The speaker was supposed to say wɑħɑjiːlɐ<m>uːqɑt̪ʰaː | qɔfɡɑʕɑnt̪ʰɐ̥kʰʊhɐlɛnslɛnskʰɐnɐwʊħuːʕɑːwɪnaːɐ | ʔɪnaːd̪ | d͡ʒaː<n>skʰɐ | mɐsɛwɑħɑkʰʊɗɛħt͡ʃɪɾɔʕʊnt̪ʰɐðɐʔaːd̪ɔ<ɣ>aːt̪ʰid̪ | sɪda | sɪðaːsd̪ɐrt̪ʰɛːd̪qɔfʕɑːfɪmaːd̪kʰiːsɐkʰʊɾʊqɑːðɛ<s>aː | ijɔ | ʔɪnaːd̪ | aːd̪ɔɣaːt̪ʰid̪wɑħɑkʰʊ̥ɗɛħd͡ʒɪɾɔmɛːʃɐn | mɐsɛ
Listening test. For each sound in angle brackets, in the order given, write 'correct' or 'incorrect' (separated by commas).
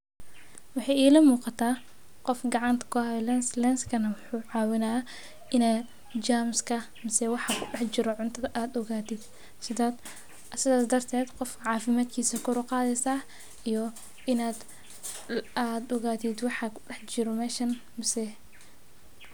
correct, incorrect, correct, correct